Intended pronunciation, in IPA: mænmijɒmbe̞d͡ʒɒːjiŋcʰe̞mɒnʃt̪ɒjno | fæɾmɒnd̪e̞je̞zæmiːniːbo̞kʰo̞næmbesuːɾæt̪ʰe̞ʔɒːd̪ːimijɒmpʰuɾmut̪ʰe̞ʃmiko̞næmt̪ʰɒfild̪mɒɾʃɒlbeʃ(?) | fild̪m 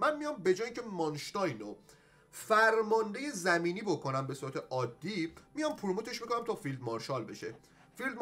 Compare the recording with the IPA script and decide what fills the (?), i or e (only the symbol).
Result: e